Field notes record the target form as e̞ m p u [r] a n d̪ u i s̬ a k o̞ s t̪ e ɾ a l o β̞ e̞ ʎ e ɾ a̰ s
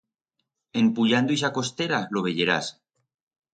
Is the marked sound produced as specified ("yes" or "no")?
no